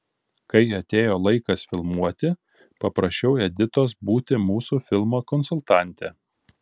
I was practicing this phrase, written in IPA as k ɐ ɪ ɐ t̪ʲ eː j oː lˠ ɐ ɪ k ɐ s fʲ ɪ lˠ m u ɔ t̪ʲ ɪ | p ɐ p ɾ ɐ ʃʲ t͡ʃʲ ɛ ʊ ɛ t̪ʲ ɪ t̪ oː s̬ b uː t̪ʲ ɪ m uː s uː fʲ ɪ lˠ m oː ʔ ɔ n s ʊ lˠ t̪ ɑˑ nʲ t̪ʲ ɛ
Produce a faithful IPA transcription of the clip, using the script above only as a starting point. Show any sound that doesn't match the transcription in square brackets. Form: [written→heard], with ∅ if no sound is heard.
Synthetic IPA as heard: k ɐ ɪ ɐ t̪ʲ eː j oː lˠ ɐ ɪ k ɐ s fʲ ɪ lˠ m u ɔ t̪ʲ ɪ | p ɐ p ɾ ɐ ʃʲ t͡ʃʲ ɛ ʊ ɛ [t̪ʲ→d̪ʲ] ɪ t̪ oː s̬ b uː t̪ʲ ɪ m uː s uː fʲ ɪ lˠ m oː [ʔ→k] ɔ n s ʊ lˠ t̪ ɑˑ nʲ t̪ʲ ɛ